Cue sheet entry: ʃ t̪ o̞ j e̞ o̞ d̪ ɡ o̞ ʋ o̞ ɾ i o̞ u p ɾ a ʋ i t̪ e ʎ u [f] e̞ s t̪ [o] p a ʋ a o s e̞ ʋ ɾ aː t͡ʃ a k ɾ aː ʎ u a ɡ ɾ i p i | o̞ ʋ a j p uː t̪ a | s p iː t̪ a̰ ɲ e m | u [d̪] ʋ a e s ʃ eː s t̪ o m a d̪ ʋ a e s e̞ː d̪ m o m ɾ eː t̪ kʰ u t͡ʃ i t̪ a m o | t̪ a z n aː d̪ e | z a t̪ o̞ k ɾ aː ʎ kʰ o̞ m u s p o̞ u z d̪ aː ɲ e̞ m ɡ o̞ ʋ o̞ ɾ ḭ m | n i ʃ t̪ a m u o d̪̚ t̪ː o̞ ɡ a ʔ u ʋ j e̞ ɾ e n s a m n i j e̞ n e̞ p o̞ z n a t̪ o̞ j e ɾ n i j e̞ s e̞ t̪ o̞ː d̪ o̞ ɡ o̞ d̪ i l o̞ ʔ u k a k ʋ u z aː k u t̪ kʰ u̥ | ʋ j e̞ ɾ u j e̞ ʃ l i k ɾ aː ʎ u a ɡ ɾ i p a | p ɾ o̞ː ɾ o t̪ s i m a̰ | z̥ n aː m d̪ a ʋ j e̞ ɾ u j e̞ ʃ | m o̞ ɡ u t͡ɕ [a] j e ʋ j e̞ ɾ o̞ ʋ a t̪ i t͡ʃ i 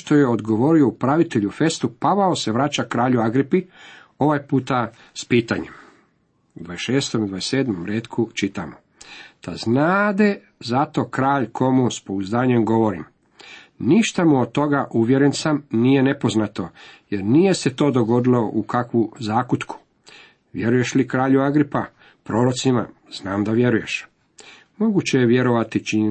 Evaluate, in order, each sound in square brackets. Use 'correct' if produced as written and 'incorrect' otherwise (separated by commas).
correct, incorrect, correct, incorrect